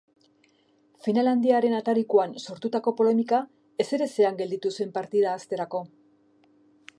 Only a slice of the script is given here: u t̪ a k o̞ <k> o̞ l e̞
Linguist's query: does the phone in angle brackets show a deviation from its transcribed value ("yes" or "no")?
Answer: yes